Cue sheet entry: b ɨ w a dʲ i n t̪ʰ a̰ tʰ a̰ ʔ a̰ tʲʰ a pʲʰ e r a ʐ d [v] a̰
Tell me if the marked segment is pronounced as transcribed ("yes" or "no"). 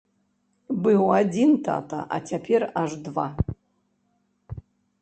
yes